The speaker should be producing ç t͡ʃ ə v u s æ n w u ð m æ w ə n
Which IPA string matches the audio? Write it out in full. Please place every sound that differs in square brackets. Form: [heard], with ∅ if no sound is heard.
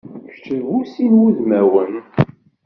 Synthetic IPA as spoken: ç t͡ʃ ə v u s [i] n w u ð m æ w ə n